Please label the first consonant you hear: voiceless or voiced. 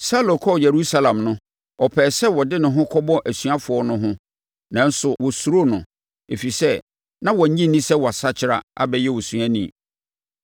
voiceless